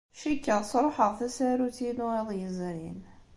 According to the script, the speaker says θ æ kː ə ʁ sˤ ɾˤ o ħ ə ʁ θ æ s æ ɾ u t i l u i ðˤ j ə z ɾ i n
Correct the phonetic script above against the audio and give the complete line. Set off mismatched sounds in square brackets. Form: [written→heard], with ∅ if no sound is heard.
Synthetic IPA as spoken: [θ→ʃ] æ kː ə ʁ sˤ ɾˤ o ħ ə ʁ θ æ s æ ɾ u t i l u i ðˤ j ə z ɾ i n